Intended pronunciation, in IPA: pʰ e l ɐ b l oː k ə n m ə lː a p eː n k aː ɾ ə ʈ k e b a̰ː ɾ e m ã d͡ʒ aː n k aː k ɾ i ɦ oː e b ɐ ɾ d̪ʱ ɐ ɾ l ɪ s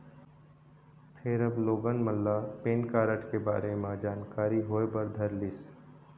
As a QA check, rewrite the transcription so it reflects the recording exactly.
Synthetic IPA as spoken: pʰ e ɾ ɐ b l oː ɡ ə n m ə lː a p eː n k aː ɾ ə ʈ k e b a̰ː ɾ e m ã d͡ʒ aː n k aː ɾ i ɦ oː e b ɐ ɾ d̪ʱ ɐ ɾ l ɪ s